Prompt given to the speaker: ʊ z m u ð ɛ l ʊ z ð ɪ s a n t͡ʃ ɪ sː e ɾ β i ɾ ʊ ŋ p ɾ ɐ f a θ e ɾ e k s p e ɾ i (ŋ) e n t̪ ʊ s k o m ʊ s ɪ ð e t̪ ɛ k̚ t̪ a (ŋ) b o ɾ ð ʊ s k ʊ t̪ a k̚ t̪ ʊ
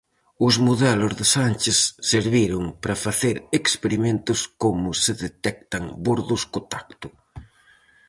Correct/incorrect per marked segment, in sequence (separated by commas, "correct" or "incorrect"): incorrect, correct